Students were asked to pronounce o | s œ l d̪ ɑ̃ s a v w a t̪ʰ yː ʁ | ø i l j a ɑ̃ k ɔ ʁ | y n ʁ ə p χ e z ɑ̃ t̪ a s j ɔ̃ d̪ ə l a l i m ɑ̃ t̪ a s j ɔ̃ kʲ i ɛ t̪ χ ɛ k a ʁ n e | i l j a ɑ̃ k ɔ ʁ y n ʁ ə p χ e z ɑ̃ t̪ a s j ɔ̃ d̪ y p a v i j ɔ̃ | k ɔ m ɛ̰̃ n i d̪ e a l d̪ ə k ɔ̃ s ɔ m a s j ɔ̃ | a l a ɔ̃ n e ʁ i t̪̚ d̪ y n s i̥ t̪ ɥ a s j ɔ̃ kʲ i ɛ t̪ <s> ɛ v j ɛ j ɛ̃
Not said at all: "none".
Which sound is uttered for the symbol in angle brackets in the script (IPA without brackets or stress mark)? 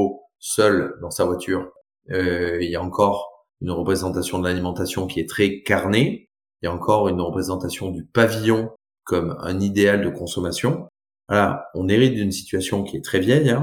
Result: χ